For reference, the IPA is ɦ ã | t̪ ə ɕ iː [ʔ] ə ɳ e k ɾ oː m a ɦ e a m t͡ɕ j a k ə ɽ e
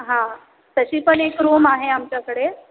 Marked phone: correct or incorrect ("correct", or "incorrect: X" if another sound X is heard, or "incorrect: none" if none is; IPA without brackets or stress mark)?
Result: incorrect: p